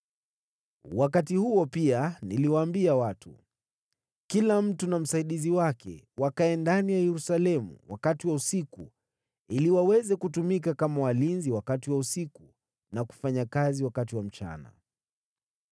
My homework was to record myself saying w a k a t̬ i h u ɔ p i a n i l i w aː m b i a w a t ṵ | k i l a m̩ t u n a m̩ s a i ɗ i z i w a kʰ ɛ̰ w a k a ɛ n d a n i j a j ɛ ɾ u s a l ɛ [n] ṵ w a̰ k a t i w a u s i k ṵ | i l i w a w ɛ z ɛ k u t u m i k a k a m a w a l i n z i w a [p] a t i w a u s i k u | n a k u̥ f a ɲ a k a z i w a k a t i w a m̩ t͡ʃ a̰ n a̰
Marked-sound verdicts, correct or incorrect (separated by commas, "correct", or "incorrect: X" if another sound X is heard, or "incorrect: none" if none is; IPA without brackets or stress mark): incorrect: m, incorrect: k